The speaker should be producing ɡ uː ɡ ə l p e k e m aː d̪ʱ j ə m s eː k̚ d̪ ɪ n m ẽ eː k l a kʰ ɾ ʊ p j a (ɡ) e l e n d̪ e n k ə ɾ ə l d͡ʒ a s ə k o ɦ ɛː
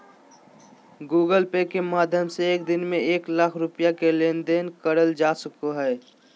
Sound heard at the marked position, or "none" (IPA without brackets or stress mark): k